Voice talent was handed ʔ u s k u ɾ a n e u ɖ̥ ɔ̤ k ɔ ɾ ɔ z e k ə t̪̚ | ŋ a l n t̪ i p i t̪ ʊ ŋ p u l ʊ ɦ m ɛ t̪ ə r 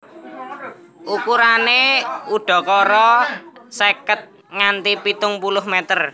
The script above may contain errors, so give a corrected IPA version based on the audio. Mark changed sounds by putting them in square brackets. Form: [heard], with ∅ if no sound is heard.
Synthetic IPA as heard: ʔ u [∅] k u ɾ a n e u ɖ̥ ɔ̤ k ɔ ɾ ɔ [s] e k ə t̪̚ | ŋ a [∅] n t̪ i p i t̪ ʊ ŋ p u l ʊ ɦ m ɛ t̪ ə r